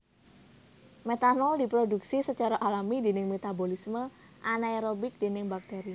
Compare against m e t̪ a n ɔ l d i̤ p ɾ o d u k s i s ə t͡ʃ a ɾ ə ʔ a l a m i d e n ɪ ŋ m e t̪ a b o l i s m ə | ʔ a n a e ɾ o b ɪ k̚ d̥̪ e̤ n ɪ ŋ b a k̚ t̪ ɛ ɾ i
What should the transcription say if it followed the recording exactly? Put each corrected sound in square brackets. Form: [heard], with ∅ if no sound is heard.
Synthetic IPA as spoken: m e t̪ a n ɔ l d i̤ p ɾ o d u k s i s ə t͡ʃ a ɾ [a] ʔ a l a m i d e n ɪ ŋ m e t̪ a b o l i s m ə | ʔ a n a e ɾ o b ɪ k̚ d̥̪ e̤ n ɪ ŋ b a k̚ t̪ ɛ ɾ i

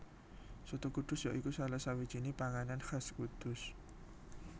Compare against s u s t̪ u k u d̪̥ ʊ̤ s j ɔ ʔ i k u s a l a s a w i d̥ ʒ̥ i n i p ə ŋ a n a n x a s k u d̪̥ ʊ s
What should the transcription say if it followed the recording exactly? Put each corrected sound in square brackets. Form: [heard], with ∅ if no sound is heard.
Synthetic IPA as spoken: s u [∅] t̪ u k u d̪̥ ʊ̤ s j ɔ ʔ i k u s a l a s a w i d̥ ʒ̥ i n i p [a] ŋ a n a n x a s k u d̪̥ ʊ s

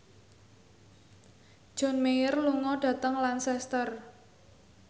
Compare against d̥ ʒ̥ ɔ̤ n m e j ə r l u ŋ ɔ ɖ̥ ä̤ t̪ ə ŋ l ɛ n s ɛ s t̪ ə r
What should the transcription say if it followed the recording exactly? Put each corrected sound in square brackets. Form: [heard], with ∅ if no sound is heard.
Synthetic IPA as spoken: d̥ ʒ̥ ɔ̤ n m e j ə r l u ŋ ɔ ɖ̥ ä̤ t̪ ə ŋ l [a] n s ɛ s t̪ ə r

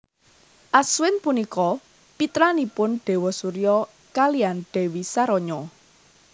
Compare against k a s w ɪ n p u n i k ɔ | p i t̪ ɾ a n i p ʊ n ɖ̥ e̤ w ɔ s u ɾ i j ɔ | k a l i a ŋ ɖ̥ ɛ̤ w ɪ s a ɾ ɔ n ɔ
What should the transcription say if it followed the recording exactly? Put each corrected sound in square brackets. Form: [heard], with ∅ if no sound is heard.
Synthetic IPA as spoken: [ʔ] a s w ɪ n p u n i k ɔ | p i t̪ ɾ a n i p ʊ n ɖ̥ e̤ w ɔ s u ɾ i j ɔ | k a l i a [n] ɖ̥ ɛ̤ w [i] s a ɾ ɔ [ɲ] ɔ

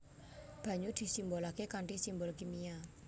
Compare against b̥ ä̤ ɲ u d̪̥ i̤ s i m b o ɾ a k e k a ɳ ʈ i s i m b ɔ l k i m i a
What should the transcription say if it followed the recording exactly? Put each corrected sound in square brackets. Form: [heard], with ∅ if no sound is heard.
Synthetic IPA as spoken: b̥ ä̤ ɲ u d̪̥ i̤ s i m b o [l] a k e k a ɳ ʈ i s i m b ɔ l k i m i a

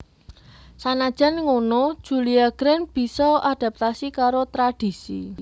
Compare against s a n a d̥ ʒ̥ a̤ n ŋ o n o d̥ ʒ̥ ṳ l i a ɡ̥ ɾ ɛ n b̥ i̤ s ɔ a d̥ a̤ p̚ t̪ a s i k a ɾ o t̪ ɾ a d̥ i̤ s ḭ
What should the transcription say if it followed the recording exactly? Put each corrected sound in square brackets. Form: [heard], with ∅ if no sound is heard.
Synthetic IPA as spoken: s a n a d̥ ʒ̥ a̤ n ŋ o n o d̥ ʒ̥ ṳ l i a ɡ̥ ɾ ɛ n b̥ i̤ s ɔ a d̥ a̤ p̚ t̪ a s i k a ɾ o t̪ ɾ a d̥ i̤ s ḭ

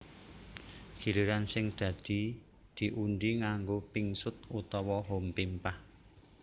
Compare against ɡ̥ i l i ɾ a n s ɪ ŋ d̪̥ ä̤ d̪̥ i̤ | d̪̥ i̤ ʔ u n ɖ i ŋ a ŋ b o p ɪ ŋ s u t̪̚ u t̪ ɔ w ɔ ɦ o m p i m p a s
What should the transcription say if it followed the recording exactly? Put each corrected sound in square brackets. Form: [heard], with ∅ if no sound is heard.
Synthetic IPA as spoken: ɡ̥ i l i ɾ a n s ɪ ŋ d̪̥ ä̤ d̪̥ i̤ | d̪̥ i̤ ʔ u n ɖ i ŋ a ŋ [ɡ] o p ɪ ŋ s [ʊ] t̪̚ u t̪ ɔ w ɔ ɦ o m p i m p a [h]

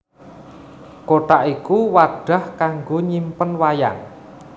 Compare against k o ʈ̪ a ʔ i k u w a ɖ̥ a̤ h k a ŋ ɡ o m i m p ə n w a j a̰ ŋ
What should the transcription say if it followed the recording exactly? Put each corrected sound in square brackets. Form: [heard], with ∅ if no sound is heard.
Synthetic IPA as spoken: k o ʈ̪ a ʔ i k u w a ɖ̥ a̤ h k a ŋ ɡ o [ɲ] i m p ə n w a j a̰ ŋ

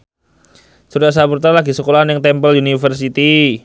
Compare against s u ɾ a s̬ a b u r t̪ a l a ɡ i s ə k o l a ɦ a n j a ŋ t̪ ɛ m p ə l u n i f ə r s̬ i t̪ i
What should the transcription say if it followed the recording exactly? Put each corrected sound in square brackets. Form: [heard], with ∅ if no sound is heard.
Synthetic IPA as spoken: s u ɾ a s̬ a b u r t̪ a l a ɡ i s ə k o l a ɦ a n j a ŋ t̪ ɛ m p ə l u n i f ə r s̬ i t̪ i

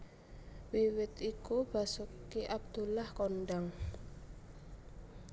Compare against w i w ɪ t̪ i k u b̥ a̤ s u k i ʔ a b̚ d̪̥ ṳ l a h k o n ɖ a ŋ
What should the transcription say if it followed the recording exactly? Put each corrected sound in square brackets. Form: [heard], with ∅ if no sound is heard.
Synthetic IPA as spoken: w i w ɪ t̪ i k u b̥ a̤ s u k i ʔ a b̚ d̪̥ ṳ l a h k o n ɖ a ŋ

